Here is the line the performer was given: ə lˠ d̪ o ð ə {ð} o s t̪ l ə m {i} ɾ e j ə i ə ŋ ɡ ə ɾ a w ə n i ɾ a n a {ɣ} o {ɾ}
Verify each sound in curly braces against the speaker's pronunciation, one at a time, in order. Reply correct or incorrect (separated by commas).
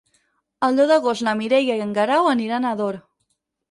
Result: incorrect, correct, incorrect, correct